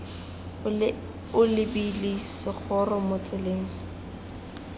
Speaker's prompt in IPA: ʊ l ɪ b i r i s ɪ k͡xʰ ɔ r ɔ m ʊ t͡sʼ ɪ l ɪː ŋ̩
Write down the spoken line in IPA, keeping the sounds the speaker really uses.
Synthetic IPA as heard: ʊ l ɪ b i l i s ɪ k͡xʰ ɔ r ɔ m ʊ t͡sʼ ɪ l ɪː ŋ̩